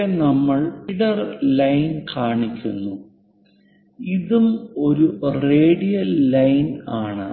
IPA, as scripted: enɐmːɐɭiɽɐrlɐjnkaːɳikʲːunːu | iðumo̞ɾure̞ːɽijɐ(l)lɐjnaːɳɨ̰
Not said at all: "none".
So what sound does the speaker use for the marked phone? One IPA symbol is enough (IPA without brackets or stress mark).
l